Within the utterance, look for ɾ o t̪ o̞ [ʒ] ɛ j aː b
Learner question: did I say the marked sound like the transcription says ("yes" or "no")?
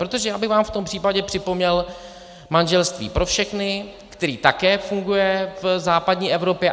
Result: yes